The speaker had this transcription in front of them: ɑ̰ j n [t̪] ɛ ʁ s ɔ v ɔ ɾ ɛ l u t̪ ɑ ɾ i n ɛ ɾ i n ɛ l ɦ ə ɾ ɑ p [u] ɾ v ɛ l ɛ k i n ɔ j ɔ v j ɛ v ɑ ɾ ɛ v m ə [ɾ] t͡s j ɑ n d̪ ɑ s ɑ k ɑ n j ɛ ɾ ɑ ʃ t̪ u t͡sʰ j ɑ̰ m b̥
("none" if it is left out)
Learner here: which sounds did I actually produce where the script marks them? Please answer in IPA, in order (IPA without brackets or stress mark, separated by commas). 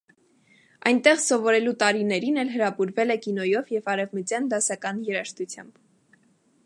t̪, u, none